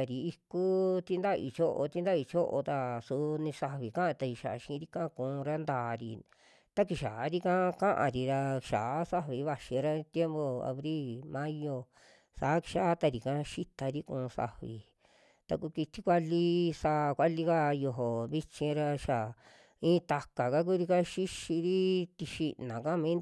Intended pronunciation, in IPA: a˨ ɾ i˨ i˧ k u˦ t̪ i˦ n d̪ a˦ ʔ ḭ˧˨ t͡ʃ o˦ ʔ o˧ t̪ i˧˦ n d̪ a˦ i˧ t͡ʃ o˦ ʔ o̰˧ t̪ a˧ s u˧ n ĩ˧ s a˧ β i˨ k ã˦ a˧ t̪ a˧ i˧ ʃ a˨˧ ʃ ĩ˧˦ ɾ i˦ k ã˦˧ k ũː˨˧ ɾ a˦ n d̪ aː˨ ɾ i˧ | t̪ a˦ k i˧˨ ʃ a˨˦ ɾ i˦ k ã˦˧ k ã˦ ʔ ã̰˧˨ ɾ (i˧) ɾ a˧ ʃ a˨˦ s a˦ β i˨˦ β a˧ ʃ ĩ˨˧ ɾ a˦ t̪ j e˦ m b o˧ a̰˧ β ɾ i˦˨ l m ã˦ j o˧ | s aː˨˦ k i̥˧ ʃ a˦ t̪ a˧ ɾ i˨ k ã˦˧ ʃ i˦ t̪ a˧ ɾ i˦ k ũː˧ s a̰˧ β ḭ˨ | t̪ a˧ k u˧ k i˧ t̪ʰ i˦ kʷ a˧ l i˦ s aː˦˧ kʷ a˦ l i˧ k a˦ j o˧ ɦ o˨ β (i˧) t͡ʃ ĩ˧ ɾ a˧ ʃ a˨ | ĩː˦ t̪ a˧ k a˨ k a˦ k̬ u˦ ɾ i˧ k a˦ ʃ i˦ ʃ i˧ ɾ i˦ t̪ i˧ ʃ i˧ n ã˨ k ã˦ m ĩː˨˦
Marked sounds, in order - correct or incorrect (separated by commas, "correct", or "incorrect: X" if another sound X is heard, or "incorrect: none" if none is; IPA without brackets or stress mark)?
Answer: correct, correct